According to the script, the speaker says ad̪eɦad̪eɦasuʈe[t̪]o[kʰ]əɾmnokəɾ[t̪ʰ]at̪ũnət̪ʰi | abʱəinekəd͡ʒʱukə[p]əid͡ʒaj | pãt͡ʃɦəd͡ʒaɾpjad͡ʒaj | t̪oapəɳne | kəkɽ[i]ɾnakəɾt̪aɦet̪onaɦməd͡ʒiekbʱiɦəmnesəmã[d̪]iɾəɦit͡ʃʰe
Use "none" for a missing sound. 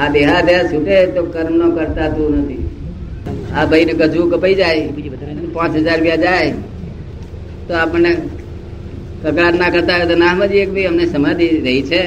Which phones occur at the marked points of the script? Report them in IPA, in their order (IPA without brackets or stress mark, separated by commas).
t̪, k, t̪, p, a, d̪